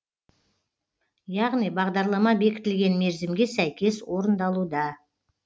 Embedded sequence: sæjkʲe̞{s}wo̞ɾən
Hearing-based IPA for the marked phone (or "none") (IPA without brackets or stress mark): s